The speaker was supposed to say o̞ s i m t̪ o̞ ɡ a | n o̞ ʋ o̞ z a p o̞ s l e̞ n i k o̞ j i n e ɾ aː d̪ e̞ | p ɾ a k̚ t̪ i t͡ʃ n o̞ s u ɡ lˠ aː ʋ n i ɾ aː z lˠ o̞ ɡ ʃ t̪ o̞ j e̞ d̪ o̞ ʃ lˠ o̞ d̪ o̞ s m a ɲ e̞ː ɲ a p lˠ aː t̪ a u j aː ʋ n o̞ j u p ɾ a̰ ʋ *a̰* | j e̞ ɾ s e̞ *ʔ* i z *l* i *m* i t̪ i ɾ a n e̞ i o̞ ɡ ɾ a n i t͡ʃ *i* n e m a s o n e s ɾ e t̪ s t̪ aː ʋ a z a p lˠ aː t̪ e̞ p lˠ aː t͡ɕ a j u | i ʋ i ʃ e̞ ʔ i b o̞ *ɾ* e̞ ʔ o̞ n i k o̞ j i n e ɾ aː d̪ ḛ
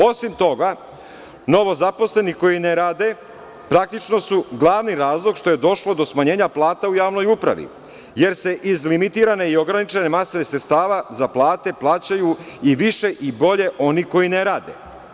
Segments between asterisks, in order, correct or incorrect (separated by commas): incorrect, correct, correct, correct, incorrect, incorrect